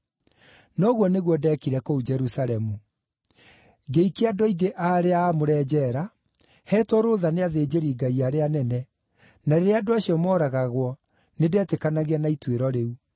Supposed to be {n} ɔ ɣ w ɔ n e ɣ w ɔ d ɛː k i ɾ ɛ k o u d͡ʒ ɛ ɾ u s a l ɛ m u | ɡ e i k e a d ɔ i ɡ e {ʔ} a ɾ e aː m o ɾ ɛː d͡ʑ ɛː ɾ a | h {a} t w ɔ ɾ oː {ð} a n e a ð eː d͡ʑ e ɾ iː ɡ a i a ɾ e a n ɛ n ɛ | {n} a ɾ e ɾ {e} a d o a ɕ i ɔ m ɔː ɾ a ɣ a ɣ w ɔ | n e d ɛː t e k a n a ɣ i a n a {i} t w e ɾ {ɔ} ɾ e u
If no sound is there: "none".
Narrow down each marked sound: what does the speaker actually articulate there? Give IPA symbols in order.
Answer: n, ʔ, ɛ, ð, n, e, i, ɔ

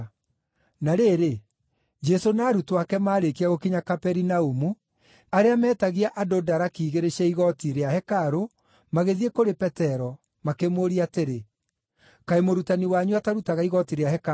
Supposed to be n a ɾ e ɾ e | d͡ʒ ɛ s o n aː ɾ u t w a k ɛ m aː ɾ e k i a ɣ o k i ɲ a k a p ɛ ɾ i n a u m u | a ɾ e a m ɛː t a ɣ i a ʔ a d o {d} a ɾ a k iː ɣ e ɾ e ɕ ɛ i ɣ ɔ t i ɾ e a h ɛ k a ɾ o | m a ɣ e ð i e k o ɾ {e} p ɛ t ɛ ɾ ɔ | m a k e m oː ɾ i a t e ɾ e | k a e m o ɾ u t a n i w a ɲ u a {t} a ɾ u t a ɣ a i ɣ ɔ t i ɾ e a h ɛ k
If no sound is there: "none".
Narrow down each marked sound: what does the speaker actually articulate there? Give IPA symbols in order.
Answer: d, e, t

